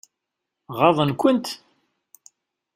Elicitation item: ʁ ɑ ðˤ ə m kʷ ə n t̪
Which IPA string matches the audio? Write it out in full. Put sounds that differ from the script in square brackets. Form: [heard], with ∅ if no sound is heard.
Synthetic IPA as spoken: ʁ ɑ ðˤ ə [n] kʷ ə n t̪